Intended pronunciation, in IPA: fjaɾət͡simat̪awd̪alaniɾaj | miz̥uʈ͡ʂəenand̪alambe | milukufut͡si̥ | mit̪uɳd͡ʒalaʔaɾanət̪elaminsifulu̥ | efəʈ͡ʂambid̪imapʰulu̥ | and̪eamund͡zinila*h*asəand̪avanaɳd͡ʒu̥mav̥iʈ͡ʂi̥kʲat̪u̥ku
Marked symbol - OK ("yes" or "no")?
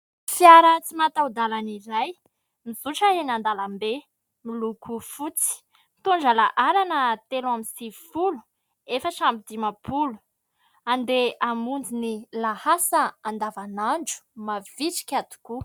yes